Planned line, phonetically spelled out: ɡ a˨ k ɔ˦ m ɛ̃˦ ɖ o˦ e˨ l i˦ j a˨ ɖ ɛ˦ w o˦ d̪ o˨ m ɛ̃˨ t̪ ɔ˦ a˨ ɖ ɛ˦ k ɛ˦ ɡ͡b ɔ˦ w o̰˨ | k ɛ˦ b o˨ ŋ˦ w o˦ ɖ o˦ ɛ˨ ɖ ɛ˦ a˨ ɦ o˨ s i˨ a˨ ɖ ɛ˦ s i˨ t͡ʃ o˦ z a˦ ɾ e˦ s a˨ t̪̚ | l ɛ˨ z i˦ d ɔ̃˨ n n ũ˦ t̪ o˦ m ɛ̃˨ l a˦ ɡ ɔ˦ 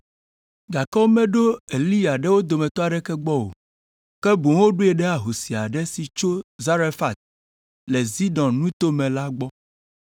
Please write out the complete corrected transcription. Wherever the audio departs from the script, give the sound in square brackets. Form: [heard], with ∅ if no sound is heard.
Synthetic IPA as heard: ɡ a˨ k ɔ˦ m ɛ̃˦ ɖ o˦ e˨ l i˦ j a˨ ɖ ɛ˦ w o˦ d̪ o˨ m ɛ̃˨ t̪ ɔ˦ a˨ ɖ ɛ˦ k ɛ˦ ɡ͡b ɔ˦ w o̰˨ | k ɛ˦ b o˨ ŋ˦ w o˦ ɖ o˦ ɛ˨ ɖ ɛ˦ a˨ ɦ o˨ s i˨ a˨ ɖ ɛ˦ s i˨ t͡ʃ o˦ z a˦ ɾ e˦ [f] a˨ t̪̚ | l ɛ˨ z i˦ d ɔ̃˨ n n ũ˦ t̪ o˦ m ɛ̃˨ l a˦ [ɡ͡b] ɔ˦

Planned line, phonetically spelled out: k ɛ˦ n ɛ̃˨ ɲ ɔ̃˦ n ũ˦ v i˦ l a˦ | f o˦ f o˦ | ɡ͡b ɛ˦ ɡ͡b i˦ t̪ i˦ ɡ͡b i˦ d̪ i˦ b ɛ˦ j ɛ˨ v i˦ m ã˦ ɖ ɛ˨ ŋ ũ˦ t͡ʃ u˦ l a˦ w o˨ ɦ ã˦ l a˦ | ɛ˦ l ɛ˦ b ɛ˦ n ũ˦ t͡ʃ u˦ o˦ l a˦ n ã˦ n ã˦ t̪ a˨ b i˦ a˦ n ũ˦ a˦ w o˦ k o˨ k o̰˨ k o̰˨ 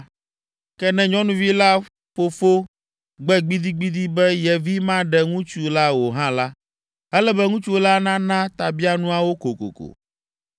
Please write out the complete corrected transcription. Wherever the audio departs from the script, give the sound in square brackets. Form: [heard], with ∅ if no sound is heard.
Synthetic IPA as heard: k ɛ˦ n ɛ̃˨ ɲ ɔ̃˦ n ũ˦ v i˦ l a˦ | f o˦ f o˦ | ɡ͡b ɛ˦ ɡ͡b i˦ [d̪] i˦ ɡ͡b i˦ d̪ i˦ b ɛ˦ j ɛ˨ v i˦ m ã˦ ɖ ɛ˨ ŋ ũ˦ t͡ʃ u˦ l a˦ w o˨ ɦ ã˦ l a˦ | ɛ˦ l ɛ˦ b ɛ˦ [ŋ] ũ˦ t͡ʃ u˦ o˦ l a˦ n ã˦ n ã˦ t̪ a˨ b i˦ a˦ n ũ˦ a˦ w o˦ k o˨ k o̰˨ k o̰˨

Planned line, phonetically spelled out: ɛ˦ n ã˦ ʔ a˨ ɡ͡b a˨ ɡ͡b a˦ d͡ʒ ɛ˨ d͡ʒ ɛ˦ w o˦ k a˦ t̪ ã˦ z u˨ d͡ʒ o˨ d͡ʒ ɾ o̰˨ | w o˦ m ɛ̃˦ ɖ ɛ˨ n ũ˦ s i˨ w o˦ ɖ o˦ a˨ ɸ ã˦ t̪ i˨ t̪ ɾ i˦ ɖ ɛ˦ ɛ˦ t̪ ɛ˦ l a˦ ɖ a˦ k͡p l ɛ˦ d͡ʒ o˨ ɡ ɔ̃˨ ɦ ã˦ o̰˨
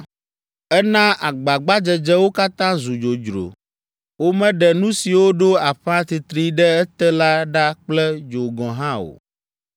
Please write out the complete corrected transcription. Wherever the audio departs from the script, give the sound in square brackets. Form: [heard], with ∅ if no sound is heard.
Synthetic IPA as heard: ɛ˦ n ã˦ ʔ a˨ ɡ͡b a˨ ɡ͡b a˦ d͡ʒ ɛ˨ d͡ʒ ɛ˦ w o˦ k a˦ t̪ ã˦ z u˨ d͡ʒ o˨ d͡ʒ ɾ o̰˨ | w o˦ m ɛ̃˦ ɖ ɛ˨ n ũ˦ s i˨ w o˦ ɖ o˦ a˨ ɸ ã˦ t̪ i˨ t̪ ɾ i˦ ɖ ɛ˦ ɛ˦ t̪ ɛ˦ l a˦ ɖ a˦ k͡p l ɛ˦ d͡ʒ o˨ ɡ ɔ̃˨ ɦ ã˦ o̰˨

